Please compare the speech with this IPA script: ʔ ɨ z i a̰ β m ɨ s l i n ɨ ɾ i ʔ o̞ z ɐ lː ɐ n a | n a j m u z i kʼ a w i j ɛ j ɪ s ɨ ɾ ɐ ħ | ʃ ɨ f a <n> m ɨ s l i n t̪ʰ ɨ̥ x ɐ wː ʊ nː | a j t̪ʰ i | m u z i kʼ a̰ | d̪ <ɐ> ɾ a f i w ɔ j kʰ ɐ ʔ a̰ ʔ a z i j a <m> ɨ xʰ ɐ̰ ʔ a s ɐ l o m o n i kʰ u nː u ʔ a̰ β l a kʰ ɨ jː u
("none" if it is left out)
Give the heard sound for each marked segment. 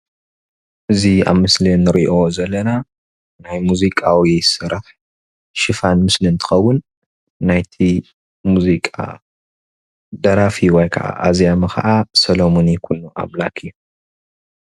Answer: n, ɐ, m

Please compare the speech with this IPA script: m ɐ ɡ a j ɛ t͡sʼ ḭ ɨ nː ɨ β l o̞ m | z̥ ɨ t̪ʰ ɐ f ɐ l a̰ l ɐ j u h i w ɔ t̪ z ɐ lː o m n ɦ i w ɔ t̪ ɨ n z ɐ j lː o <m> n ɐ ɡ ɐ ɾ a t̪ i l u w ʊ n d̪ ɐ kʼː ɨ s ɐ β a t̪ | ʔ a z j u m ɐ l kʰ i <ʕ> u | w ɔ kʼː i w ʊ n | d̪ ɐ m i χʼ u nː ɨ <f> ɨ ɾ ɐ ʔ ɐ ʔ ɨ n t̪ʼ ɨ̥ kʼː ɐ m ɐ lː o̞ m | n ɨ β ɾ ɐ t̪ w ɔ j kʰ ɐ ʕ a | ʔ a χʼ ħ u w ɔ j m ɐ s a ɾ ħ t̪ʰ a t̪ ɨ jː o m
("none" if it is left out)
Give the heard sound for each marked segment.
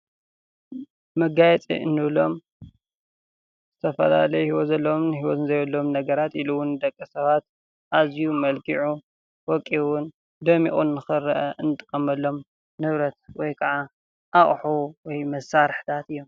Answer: m, ʕ, x

